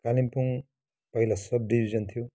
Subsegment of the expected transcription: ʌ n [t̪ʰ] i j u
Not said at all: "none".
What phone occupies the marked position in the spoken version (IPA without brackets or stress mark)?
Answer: t̪ʰ